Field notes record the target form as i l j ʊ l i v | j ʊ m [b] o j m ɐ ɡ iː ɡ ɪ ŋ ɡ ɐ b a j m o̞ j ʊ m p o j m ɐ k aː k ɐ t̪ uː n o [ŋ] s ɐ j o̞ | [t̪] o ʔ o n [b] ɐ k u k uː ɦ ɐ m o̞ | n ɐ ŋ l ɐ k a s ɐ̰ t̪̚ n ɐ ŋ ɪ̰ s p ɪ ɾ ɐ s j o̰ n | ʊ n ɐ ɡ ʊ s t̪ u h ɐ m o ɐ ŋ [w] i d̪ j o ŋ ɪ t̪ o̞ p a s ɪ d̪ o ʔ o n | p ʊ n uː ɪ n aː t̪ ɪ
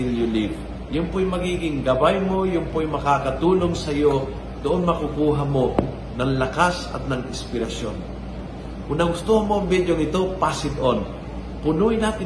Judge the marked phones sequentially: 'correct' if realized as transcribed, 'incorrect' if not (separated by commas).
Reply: incorrect, correct, incorrect, incorrect, incorrect